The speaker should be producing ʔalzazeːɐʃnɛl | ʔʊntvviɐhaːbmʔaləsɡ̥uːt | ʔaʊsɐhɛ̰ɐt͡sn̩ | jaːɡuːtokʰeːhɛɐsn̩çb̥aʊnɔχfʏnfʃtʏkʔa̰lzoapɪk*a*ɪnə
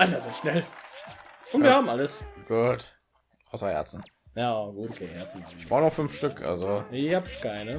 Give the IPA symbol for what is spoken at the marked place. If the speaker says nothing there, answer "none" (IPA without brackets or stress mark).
a